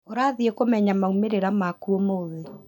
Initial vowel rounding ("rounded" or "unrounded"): rounded